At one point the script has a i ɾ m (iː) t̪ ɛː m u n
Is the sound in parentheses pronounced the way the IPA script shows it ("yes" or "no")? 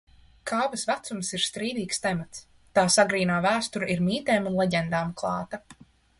yes